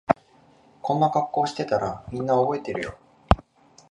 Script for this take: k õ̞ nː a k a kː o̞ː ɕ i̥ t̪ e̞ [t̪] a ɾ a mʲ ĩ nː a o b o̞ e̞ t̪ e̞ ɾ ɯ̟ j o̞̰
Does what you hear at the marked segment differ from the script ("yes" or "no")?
no